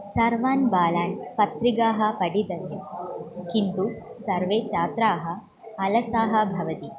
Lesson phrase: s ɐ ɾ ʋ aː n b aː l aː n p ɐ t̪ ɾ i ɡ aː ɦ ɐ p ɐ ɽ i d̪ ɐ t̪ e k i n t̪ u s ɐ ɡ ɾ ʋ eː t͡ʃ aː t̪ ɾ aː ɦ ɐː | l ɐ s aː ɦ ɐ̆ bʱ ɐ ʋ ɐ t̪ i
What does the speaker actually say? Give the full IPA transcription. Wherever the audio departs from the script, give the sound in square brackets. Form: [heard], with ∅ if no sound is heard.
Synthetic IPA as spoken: s ɐ ɾ ʋ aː n b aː l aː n p ɐ t̪ ɾ i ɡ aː ɦ ɐ p ɐ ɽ i d̪ ɐ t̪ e k i n t̪ u s ɐ [∅] ɾ ʋ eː t͡ʃ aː t̪ ɾ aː ɦ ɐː | l ɐ s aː ɦ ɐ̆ bʱ ɐ ʋ ɐ t̪ i